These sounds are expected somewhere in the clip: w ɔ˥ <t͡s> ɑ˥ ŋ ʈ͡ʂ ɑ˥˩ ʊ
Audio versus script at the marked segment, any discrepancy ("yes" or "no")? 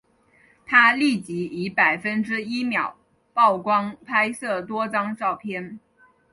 no